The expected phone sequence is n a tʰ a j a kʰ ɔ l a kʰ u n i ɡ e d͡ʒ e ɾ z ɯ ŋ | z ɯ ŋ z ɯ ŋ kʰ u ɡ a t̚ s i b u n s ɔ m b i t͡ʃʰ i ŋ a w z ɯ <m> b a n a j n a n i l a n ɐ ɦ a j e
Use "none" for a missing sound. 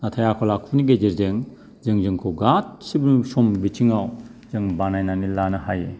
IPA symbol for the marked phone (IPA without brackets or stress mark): ŋ